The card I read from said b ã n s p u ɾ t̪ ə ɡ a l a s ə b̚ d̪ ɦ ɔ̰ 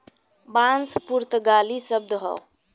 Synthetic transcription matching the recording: b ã n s p u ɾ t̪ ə ɡ a l i s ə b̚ d̪ ɦ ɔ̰